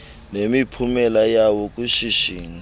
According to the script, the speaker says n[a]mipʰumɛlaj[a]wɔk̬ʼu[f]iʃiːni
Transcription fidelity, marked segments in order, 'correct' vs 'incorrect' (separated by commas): incorrect, correct, incorrect